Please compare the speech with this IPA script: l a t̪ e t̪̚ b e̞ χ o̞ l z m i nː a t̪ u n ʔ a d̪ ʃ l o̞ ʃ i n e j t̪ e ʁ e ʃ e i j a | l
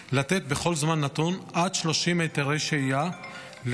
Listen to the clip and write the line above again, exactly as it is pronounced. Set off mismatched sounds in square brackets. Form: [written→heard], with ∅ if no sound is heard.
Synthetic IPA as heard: l a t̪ e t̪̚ b e̞ χ o̞ l z m [i→a] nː a t̪ u n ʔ a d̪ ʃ l o̞ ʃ i [n→m] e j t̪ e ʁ e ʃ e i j a | l